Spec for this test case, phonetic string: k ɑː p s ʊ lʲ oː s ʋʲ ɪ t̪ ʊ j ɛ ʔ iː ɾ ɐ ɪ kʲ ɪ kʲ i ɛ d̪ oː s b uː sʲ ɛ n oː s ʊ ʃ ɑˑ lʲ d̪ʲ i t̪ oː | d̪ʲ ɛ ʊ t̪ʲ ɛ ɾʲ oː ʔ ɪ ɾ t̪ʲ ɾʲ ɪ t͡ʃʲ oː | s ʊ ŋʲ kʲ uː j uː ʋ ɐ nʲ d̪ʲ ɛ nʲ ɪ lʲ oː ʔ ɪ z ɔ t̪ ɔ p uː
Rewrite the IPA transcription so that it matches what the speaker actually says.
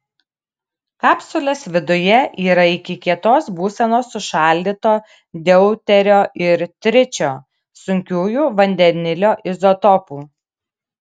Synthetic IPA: k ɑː p s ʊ lʲ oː s ʋʲ ɪ d̪ ʊ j ɛ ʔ iː ɾ ɐ ɪ kʲ ɪ kʲ i ɛ t̪ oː s b uː sʲ ɛ n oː s ʊ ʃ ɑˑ lʲ d̪ʲ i t̪ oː | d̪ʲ ɛ ʊ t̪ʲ ɛ ɾʲ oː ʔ ɪ ɾ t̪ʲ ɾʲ ɪ t͡ʃʲ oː | s ʊ ŋʲ kʲ uː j uː ʋ ɐ nʲ d̪ʲ ɛ nʲ ɪ lʲ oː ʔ ɪ z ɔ t̪ ɔ p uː